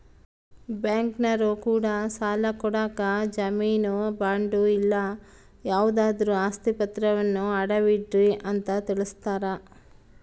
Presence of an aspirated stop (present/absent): absent